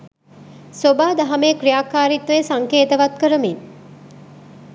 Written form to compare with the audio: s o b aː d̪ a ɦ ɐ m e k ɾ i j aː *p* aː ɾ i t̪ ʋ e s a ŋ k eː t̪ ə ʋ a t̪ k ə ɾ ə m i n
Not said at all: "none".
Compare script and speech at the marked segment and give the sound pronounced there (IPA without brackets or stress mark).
k